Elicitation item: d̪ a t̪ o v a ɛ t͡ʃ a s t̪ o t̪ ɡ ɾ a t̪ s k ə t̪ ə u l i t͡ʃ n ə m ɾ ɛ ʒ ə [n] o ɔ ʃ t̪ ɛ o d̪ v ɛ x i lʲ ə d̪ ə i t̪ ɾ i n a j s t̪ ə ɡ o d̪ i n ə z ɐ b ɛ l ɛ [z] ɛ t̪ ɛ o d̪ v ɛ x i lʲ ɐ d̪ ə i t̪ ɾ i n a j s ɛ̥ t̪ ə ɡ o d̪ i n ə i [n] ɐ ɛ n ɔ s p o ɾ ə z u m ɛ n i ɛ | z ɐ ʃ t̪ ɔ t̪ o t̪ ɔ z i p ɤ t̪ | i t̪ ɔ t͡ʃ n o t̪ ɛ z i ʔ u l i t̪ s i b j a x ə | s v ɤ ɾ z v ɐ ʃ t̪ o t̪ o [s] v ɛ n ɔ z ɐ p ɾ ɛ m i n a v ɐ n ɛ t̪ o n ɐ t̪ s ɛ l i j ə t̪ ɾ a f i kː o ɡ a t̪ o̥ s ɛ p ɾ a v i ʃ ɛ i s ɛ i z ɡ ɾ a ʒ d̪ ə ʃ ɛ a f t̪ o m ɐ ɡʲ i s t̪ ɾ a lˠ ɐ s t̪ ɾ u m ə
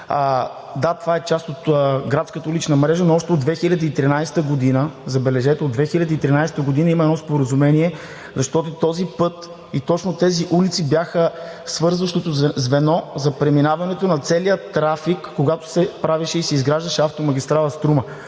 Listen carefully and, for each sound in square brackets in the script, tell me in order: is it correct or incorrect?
correct, incorrect: ʒ, incorrect: m, incorrect: z

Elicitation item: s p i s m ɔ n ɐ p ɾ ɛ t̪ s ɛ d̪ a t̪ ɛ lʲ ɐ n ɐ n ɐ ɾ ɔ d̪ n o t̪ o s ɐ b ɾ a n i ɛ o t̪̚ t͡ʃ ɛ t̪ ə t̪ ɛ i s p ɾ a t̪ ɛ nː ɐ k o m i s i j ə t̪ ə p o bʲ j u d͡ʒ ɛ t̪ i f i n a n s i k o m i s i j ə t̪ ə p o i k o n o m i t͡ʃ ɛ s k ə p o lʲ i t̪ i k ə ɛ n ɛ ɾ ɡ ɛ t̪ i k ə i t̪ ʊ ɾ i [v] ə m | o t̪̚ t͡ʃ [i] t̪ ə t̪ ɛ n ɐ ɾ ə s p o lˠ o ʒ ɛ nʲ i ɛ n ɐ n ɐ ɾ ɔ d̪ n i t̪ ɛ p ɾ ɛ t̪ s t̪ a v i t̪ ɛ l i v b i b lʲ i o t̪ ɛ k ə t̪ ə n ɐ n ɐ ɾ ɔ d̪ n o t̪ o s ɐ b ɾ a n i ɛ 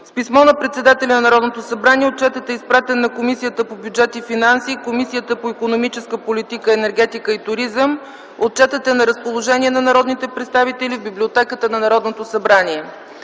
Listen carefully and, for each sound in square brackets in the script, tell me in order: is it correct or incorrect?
incorrect: z, incorrect: ɛ

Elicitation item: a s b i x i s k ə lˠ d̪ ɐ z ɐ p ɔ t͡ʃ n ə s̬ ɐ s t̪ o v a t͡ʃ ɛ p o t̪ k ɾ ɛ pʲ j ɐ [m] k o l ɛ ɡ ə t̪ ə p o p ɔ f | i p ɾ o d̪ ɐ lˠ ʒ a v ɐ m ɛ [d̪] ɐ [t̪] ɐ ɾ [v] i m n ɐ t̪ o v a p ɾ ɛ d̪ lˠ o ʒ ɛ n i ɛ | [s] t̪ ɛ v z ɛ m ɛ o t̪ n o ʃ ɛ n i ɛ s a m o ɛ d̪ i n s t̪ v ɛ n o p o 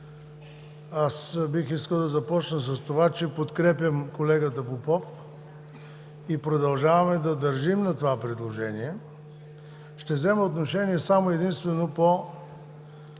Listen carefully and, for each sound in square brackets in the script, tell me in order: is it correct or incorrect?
correct, correct, incorrect: d̪, incorrect: ʒ, incorrect: ʃ

